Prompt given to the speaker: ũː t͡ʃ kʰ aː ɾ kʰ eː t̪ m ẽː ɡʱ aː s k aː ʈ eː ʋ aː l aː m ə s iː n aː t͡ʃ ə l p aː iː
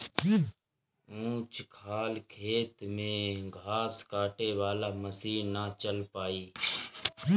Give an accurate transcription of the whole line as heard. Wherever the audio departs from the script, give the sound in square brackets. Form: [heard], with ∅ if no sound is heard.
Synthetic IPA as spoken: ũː t͡ʃ kʰ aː [l] kʰ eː t̪ m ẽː ɡʱ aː s k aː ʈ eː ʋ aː l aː m ə s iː n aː t͡ʃ ə l p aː iː